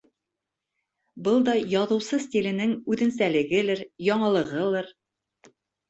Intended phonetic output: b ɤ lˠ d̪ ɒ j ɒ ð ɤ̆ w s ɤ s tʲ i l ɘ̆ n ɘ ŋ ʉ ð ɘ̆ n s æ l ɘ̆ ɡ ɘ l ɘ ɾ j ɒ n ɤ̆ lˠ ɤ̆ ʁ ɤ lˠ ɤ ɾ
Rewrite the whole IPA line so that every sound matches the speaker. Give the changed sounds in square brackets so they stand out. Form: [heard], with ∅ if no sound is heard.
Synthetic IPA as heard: b ɤ lˠ d̪ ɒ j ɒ ð ɤ̆ w s ɤ s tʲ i l ɘ̆ n ɘ ŋ ʉ ð ɘ̆ n s æ l ɘ̆ ɡ ɘ l ɘ ɾ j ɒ [ɴ] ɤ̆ lˠ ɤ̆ ʁ ɤ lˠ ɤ ɾ